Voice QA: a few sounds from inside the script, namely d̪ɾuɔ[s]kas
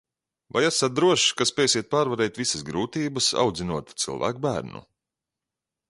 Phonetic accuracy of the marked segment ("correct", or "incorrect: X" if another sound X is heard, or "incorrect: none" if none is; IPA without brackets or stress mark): incorrect: ʃ